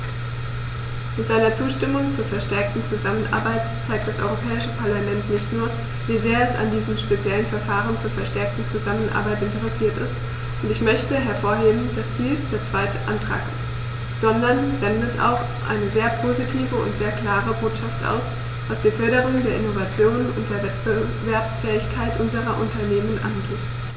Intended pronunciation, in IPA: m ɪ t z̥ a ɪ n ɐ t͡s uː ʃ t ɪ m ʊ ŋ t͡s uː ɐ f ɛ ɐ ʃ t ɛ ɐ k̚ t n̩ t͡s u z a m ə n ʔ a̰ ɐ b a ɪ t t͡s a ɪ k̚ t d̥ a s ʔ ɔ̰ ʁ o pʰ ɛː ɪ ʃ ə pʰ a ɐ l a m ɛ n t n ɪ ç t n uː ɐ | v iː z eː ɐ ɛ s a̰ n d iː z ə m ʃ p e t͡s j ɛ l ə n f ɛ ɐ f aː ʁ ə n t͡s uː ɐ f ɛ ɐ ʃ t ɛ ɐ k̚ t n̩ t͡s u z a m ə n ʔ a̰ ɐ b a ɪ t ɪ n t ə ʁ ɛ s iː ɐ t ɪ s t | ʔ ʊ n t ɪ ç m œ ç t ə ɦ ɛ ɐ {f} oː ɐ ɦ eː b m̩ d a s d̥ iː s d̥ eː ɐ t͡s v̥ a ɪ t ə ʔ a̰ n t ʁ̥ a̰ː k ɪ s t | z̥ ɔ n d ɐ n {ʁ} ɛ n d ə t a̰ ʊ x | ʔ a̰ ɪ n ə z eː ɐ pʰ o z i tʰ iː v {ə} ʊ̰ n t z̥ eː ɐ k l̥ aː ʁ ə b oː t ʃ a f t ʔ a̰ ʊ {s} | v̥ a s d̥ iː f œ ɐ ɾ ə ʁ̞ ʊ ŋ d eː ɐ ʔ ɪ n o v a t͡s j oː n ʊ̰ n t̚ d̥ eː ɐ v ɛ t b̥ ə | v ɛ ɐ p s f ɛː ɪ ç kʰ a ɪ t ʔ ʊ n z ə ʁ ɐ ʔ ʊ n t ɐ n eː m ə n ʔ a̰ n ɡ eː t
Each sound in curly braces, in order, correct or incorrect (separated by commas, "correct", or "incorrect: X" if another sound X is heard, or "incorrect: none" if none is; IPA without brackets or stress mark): correct, incorrect: z, correct, correct